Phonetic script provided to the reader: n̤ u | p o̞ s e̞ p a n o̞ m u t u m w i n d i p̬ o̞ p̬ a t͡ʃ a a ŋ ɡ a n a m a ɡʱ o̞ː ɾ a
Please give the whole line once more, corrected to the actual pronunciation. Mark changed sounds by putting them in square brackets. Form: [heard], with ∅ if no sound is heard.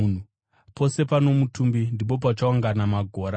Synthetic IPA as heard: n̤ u | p o̞ s e̞ p a n o̞ m u t u m [b] i n d i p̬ o̞ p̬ a t͡ʃ a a ŋ ɡ a n a m a ɡʱ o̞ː ɾ a